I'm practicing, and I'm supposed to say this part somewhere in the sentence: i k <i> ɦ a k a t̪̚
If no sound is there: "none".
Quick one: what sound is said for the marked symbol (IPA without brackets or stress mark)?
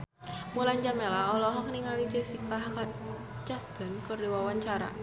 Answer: a